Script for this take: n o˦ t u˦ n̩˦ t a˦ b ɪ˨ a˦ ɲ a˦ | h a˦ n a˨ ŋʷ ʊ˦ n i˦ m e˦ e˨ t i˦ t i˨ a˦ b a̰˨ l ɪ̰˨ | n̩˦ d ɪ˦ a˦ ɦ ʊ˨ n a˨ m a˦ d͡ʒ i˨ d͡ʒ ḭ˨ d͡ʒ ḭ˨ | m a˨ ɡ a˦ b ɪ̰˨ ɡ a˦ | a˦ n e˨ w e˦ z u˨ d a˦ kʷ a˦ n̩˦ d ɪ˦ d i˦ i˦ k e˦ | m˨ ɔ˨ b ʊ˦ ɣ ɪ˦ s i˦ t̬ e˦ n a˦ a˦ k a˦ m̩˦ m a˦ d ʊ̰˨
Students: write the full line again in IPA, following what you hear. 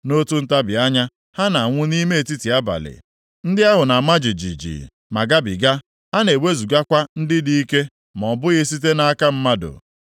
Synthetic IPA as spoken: n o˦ t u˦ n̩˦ t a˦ b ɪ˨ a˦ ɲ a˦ | h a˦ n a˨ ŋʷ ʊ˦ n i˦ m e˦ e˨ t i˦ t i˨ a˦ b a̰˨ l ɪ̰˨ | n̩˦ d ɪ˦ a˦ ɦ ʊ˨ n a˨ m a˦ d͡ʒ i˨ d͡ʒ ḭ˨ d͡ʒ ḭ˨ | m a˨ ɡ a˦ b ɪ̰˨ ɡ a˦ | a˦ n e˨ w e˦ z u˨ ɡ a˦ kʷ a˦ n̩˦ d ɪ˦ d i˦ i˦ k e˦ | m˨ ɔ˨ b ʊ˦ ɣ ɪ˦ s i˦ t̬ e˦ n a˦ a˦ k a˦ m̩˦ m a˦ d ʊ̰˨